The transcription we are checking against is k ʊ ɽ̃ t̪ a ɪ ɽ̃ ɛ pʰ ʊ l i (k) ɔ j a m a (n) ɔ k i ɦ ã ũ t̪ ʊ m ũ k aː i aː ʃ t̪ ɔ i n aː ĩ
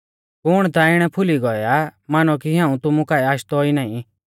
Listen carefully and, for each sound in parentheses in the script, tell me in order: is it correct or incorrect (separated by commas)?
incorrect, correct